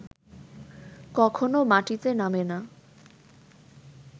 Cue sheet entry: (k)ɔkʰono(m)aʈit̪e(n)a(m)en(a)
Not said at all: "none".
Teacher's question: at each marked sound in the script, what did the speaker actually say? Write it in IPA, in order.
k, m, n, m, a

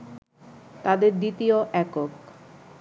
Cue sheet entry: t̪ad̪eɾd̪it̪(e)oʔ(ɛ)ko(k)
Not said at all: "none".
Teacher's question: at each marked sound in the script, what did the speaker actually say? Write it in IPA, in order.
i, ɛ, k

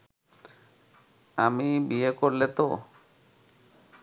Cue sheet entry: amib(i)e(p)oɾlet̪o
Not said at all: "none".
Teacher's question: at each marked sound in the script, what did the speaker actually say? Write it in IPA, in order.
i, k

